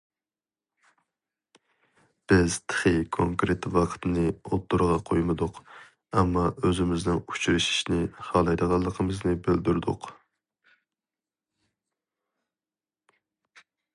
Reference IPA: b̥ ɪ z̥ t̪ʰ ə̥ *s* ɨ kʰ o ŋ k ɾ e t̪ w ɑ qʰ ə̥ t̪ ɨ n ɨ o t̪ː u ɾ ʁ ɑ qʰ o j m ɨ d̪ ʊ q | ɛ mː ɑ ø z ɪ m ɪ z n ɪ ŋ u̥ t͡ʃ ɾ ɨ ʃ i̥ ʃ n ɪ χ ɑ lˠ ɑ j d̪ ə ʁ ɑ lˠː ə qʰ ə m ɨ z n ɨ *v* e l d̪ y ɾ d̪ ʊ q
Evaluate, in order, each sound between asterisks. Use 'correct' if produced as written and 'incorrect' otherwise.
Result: incorrect, incorrect

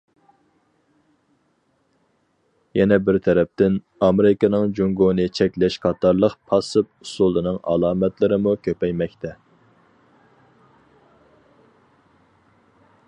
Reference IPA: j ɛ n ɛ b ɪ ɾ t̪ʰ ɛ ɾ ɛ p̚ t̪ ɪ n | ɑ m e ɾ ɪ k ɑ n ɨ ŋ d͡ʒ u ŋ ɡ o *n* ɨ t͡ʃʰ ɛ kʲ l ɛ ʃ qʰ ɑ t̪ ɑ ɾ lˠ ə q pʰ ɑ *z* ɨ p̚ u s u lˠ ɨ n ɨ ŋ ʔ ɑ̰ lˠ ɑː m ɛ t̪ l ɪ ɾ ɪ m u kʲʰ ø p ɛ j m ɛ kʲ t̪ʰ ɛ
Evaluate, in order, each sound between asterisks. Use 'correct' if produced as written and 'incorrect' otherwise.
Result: correct, incorrect

